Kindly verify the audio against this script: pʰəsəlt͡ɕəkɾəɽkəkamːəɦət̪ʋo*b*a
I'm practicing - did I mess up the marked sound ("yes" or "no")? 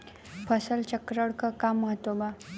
no